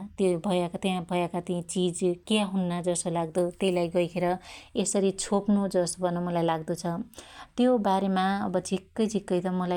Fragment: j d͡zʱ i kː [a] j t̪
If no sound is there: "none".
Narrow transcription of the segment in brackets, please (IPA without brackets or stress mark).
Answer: ʌ